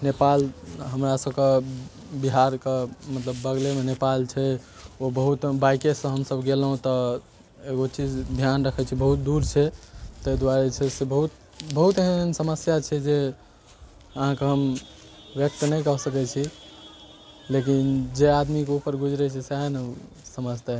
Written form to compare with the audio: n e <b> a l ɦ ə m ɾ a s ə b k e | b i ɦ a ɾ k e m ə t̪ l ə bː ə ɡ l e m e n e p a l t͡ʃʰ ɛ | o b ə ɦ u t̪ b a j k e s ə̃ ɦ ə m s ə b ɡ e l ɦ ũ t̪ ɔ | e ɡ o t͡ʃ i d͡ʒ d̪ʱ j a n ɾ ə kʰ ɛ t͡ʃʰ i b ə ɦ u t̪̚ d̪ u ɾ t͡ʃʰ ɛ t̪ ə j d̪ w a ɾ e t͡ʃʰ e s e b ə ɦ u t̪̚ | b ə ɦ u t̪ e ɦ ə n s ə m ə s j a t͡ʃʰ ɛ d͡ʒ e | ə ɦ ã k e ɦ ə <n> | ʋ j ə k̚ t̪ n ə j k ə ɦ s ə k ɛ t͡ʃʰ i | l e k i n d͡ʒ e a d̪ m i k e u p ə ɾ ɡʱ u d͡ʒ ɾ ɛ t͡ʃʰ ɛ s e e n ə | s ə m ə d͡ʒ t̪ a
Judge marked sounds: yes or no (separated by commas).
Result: no, no